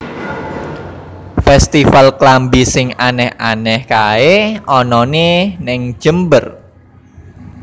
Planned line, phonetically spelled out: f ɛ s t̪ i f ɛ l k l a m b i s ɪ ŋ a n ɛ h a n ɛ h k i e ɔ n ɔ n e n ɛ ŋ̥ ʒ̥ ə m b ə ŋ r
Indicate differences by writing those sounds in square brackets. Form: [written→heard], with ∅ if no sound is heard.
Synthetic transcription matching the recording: f ɛ s t̪ i f [ɛ→a] l k l a m b i s ɪ ŋ a n ɛ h a n ɛ h k [i→a] e ɔ n ɔ n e n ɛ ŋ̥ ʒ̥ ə m b ə [ŋ→∅] r